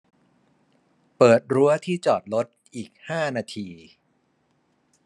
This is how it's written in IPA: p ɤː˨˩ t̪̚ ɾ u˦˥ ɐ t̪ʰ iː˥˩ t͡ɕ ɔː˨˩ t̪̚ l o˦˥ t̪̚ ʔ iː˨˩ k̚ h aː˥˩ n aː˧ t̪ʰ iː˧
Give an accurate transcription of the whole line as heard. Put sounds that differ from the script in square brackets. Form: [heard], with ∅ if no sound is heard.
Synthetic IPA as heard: p ɤː˨˩ t̪̚ ɾ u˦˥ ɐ t̪ʰ iː˥˩ t͡ɕ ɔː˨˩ t̪̚ l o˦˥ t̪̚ ʔ iː˨˩ k̚ h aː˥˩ n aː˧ t̪ʰ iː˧